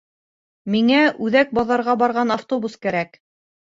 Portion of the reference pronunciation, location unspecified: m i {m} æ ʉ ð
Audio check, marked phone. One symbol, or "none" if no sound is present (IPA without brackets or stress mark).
ŋ